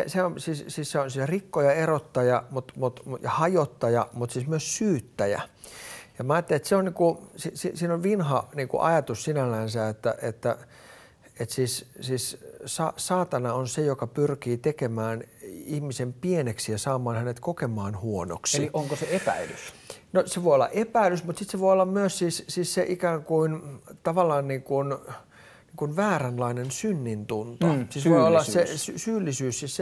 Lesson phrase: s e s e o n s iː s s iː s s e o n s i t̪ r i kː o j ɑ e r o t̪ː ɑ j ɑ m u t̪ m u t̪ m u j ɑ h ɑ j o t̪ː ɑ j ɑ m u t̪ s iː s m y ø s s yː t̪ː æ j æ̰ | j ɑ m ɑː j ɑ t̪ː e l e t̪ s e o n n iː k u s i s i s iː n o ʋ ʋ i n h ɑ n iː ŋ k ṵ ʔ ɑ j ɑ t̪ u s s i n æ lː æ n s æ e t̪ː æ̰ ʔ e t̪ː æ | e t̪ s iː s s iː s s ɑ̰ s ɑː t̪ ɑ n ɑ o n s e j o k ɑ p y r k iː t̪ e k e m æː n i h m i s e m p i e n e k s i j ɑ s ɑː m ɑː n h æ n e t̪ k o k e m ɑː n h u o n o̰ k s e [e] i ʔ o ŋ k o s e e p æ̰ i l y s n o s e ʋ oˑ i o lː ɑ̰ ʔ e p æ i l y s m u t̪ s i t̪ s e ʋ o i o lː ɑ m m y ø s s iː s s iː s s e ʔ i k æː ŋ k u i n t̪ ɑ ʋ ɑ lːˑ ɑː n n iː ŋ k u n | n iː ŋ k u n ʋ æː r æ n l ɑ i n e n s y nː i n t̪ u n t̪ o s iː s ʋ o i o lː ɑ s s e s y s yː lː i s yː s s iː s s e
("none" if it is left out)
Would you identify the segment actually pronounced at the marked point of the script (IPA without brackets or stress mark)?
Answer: i